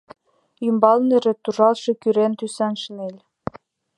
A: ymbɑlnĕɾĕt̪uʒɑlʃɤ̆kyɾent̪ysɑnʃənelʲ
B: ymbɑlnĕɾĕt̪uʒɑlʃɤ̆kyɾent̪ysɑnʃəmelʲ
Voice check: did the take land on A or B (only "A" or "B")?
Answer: A